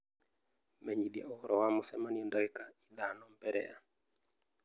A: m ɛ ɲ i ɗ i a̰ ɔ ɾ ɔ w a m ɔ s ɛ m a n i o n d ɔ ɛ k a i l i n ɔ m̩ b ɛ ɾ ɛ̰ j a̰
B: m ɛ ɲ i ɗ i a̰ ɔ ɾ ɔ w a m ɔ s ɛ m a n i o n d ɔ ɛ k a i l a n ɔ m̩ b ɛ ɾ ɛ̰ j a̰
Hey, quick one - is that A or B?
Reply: B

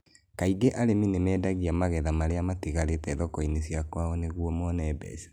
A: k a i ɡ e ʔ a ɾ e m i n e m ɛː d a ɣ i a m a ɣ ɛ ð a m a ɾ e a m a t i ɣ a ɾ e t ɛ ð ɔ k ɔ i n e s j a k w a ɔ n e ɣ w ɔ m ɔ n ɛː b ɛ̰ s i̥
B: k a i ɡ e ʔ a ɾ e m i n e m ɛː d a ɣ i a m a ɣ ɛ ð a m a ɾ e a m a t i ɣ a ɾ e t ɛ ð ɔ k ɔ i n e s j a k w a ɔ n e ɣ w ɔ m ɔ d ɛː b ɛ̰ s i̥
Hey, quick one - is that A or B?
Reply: A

